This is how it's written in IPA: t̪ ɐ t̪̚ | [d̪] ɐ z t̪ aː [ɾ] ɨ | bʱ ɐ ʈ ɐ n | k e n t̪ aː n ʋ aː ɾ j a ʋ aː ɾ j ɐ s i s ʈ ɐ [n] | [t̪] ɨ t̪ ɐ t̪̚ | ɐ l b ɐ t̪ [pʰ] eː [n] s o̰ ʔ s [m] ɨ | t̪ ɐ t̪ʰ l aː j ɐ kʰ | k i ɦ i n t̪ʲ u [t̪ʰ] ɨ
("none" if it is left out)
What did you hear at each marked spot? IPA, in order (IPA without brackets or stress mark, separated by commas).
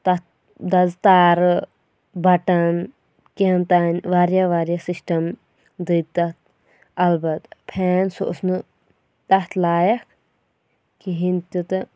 d̪, ɾ, m, d̪, pʰ, n, n, t̪